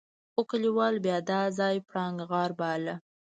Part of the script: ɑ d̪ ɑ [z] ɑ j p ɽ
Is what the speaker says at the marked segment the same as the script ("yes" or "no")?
yes